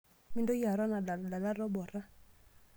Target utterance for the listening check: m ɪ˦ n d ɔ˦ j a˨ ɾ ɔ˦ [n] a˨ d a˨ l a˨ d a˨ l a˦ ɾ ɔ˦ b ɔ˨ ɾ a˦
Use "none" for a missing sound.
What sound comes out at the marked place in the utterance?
n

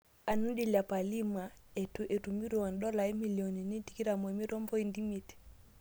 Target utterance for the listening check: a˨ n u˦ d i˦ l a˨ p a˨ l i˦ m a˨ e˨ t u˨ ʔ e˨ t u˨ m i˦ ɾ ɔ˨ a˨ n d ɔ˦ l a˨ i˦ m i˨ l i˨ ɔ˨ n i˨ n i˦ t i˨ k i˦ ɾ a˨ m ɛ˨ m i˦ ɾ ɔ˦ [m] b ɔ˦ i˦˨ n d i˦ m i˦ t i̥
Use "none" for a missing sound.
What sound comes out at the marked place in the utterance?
m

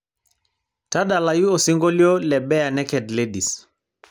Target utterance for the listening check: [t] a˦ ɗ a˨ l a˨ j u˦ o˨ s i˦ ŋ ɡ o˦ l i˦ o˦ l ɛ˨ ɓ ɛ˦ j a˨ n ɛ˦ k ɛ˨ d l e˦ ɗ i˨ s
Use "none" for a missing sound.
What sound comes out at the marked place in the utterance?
t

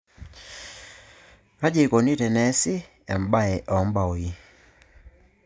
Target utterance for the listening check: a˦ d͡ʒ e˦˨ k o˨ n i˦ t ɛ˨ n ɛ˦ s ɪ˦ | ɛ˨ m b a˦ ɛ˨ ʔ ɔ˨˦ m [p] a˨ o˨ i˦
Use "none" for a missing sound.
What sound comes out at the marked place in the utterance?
b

